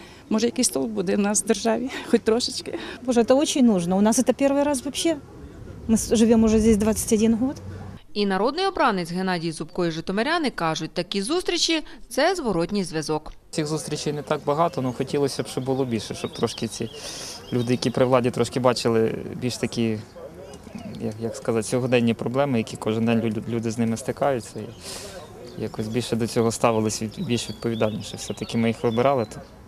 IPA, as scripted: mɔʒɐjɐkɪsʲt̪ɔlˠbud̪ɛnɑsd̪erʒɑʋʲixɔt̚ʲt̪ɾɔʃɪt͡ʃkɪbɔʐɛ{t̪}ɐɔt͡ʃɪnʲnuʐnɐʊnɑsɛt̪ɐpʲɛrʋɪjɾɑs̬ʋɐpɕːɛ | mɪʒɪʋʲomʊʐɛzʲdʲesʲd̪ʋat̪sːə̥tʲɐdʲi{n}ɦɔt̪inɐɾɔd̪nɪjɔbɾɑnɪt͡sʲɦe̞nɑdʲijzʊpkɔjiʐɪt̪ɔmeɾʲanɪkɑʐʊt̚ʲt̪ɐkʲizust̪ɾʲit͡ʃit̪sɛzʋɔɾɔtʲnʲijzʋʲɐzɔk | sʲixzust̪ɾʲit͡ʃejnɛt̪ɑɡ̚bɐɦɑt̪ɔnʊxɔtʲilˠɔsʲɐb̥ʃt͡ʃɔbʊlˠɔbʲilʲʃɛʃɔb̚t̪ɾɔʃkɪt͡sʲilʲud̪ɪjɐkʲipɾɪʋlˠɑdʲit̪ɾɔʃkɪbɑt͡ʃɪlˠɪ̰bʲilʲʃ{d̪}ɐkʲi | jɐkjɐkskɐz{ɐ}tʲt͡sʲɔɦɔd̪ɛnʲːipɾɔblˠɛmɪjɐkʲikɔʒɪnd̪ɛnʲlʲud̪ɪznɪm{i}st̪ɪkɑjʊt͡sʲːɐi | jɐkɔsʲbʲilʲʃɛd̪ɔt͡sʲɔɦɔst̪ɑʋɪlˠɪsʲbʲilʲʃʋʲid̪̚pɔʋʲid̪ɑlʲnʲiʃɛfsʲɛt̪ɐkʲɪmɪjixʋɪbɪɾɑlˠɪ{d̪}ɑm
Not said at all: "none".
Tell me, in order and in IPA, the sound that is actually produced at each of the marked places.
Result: t̪, n, t̪, ɑ, ɪ, t̪

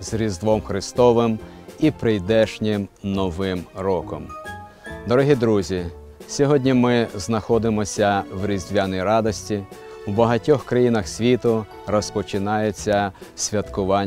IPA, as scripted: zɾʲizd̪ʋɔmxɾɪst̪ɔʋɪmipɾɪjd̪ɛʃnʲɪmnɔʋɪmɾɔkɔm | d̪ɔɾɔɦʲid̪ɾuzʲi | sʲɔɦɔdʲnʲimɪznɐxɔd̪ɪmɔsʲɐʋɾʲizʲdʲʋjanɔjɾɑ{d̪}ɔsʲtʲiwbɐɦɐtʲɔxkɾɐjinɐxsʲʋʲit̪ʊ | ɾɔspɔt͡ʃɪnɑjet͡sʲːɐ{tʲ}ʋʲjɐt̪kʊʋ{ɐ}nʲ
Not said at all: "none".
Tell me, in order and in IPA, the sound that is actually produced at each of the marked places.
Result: d̪, sʲ, ɑ

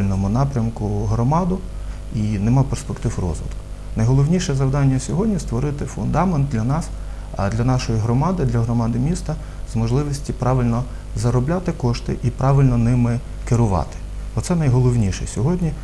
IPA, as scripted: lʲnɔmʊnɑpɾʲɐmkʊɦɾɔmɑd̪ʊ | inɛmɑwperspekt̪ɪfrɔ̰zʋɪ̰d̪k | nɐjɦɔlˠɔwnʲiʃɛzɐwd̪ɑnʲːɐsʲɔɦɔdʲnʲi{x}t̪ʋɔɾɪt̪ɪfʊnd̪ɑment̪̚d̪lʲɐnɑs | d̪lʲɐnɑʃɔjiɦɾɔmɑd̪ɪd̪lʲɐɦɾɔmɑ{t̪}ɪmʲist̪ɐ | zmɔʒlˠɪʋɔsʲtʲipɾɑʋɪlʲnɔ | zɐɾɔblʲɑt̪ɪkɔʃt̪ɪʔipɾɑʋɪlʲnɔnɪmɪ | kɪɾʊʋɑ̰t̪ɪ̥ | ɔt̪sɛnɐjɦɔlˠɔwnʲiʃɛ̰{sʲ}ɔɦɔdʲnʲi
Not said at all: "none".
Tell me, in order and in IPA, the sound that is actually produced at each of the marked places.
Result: s, d̪, sʲ

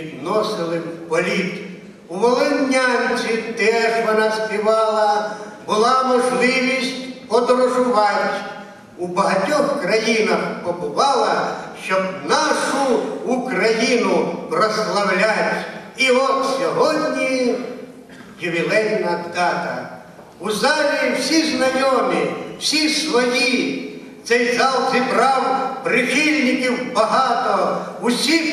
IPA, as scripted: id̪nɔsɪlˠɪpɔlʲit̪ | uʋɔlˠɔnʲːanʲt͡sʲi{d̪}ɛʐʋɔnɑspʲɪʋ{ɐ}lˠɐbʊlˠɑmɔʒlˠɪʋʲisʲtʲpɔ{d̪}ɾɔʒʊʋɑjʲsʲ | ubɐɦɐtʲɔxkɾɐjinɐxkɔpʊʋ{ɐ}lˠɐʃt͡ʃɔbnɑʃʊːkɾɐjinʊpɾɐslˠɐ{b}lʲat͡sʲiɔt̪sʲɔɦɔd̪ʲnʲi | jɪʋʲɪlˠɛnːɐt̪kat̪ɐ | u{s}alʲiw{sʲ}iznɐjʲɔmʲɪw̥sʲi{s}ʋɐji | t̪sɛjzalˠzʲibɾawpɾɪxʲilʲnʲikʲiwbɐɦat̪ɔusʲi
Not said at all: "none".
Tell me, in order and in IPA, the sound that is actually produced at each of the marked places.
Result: t̪, ɑ, d̪, ɑ, w, z, sʲ, s

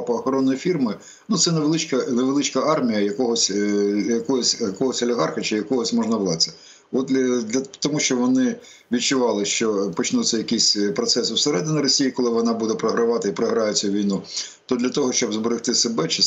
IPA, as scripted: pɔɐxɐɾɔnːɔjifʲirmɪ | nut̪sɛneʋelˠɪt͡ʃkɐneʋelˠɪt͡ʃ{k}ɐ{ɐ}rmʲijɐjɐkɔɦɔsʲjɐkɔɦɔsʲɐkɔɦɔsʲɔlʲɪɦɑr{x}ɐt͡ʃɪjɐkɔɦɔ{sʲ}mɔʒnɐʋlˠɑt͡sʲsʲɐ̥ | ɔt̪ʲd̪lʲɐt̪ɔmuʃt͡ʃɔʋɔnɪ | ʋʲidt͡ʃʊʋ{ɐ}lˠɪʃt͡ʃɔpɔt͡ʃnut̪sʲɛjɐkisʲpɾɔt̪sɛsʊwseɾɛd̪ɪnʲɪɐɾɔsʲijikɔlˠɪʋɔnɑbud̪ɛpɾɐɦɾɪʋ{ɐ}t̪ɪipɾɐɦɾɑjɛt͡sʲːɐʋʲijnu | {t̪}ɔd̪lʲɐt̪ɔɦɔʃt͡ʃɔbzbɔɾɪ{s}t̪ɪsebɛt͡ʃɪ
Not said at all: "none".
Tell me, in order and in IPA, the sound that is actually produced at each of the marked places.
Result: k, ɑ, x, sʲ, ɑ, ɑ, t̪, x

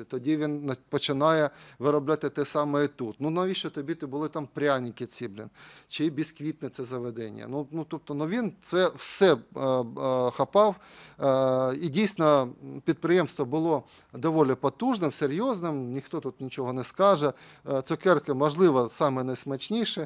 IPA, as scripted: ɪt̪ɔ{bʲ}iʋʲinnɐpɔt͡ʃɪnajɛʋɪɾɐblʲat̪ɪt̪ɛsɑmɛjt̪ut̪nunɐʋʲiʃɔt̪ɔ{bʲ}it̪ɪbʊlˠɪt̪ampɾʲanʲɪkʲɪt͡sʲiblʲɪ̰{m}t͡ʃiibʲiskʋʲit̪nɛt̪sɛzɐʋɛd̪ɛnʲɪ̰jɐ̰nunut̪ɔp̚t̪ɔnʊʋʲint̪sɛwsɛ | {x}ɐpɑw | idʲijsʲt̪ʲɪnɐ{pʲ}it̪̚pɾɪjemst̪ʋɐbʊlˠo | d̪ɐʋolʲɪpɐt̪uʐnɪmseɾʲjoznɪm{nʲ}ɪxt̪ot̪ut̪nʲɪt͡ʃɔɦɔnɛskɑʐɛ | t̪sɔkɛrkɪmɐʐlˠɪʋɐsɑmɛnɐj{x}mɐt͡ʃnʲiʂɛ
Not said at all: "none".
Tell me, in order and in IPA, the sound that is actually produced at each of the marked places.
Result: dʲ, bʲ, n, x, pʲ, nʲ, s

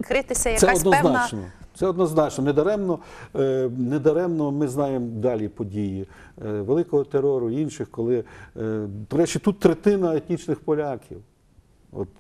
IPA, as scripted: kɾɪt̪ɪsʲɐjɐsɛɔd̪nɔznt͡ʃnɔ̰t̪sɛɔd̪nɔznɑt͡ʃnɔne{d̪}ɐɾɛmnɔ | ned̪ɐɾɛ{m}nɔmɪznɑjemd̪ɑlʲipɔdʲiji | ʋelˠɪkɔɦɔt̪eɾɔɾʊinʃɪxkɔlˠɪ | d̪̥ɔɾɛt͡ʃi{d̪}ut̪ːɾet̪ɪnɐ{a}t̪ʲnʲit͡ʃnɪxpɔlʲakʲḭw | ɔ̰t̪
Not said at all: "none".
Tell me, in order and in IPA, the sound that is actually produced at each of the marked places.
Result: d̪, m, t̪, e

